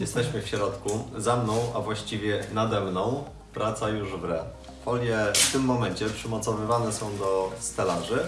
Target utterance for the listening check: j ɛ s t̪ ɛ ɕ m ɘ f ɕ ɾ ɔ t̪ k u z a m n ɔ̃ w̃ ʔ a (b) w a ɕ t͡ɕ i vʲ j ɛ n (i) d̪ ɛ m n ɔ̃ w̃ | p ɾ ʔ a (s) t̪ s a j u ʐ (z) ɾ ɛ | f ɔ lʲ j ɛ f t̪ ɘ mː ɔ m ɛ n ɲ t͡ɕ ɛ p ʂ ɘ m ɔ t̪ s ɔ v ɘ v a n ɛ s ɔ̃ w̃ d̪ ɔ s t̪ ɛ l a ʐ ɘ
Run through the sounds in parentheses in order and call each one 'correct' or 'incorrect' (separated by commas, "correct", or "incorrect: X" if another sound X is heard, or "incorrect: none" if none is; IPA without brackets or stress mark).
incorrect: v, incorrect: a, incorrect: none, incorrect: v